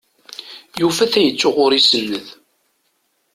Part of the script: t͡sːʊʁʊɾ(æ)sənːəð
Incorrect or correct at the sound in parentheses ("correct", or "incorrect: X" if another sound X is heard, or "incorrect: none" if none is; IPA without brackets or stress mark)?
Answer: incorrect: i